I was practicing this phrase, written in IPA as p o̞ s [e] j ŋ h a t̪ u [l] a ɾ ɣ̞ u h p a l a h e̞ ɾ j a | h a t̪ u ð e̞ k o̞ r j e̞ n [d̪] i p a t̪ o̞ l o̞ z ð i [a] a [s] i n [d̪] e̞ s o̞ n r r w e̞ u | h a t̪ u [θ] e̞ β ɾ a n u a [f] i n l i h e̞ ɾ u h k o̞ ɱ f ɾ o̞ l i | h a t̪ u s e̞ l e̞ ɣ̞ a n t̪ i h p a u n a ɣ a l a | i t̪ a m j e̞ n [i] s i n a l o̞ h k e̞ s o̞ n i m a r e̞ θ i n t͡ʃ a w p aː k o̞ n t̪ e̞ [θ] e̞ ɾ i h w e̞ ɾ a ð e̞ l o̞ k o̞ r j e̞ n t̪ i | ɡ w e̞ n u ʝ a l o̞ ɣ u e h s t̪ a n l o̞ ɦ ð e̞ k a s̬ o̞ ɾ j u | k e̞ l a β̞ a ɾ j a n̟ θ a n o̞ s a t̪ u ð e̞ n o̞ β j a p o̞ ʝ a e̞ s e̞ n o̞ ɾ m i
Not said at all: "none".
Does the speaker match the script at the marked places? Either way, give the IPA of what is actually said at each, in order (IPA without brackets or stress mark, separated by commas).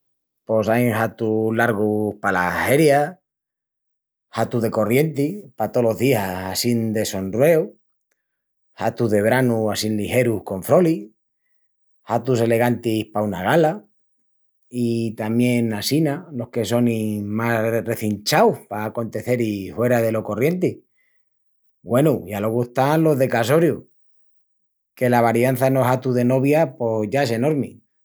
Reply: a, l, t̪, a, s, d̪, ð, s, a, θ